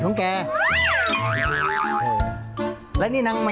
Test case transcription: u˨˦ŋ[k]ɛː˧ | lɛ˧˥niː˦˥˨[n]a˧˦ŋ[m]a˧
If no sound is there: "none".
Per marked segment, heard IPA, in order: k, n, m

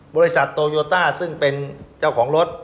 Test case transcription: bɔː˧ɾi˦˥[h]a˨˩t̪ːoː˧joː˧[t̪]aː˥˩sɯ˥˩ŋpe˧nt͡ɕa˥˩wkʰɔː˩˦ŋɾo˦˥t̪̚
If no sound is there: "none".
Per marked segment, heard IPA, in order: s, t̪

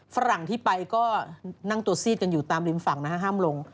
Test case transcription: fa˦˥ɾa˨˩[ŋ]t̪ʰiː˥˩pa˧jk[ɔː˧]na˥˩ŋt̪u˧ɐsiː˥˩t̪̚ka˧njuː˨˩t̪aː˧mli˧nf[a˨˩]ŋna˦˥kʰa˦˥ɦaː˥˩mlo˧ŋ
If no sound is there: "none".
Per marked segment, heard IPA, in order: ŋ, ɔː˥˩, a˨˩

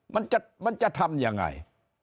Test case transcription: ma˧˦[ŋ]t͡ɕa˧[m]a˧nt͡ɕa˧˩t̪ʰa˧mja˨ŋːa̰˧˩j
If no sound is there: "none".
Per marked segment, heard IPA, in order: n, m

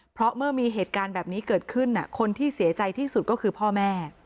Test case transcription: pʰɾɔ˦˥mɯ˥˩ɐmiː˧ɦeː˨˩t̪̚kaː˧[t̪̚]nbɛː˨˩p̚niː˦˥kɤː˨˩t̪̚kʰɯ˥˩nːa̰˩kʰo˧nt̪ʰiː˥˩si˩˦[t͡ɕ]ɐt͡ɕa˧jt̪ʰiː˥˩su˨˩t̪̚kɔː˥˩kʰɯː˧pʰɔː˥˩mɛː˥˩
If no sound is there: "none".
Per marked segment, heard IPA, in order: none, none

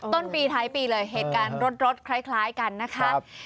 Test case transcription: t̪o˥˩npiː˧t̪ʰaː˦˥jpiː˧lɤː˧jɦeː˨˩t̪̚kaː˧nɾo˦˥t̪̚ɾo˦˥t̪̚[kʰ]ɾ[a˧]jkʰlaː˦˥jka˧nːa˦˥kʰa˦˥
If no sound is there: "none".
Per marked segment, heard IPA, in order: kʰ, a˦˥

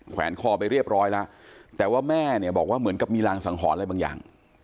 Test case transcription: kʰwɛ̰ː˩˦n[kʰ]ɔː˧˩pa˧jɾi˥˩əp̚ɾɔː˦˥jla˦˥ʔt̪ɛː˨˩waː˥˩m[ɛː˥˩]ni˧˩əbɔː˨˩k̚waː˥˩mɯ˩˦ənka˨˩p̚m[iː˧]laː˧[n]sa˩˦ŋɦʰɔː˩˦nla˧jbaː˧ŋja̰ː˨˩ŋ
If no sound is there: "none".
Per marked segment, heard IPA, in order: kʰ, ɛː˥˩, iː˧, ŋ

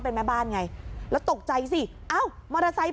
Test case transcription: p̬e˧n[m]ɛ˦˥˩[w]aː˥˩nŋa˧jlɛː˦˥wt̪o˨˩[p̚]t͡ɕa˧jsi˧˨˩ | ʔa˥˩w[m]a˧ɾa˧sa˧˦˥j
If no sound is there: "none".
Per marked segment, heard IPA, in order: m, b, k̚, m

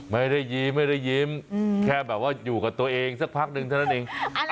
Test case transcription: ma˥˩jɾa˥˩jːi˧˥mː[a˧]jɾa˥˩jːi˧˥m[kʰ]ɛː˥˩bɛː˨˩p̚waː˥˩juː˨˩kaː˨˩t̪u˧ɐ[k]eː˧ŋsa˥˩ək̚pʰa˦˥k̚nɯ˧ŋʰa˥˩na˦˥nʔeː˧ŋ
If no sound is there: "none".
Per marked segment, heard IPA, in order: a˥˩, kʰ, ʔ

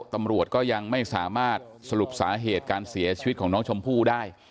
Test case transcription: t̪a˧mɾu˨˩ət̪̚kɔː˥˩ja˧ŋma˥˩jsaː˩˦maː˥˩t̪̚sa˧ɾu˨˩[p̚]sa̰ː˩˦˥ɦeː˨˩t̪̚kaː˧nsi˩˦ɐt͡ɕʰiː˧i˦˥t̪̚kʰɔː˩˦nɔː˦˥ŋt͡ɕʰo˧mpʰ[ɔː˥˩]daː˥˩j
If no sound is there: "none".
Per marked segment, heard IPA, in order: p̚, uː˥˩

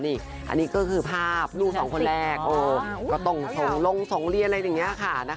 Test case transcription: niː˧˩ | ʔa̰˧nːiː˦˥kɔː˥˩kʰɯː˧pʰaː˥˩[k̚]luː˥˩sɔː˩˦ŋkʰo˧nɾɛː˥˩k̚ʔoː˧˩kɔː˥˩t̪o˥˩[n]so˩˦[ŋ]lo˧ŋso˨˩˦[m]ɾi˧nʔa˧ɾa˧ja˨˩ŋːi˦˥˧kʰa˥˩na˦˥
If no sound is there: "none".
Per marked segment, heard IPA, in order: p̚, ŋ, ŋ, ŋ

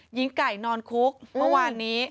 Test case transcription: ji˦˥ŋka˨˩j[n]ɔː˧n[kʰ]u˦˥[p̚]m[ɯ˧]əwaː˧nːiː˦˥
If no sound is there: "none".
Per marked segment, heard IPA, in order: n, kʰ, k̚, ɯ˥˩

